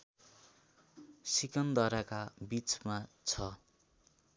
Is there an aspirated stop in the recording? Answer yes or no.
yes